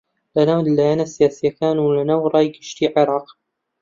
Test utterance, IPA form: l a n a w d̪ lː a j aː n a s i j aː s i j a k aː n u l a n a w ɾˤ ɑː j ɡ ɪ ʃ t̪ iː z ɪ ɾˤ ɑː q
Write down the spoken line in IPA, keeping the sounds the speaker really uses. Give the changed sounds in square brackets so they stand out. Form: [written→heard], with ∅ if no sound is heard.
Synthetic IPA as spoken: l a n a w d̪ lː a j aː n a s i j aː s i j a k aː n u l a n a w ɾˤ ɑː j ɡ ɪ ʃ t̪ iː [z→ʕ] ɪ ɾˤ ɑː q